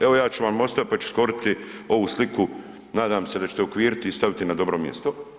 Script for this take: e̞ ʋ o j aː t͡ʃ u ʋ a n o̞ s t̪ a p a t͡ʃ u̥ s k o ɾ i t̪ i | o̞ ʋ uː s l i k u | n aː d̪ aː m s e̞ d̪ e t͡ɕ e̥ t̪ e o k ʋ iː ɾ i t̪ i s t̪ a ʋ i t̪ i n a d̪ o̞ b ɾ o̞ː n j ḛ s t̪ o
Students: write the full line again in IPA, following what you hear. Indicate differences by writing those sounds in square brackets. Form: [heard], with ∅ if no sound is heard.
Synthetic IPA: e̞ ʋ o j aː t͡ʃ u ʋ a [m] o̞ s t̪ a p a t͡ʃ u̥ s k o ɾ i t̪ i | o̞ ʋ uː s l i k u | n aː d̪ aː m s e̞ d̪ [a] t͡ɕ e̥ t̪ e o k ʋ iː ɾ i t̪ i s t̪ a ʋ i t̪ i n a d̪ o̞ b ɾ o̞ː [m] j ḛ s t̪ o